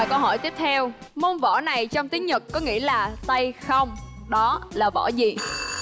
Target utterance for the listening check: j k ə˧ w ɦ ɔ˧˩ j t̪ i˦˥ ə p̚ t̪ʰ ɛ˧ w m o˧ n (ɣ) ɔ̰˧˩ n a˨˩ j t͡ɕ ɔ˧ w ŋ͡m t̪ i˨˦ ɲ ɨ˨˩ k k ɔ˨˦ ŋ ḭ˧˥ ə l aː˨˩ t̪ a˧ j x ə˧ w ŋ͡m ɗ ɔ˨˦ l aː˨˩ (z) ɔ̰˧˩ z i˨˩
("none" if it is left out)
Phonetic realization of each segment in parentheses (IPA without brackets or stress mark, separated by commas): v, v